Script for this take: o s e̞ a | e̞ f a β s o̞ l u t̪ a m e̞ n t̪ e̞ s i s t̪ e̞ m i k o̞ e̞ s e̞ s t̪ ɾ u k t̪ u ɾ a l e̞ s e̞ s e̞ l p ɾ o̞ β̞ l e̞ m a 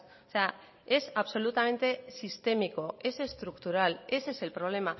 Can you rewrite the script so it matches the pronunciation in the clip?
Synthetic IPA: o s e̞ a | e̞ s a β s o̞ l u t̪ a m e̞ n t̪ e̞ s i s t̪ e̞ m i k o̞ e̞ s e̞ s t̪ ɾ u k t̪ u ɾ a l e̞ s e̞ s e̞ l p ɾ o̞ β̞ l e̞ m a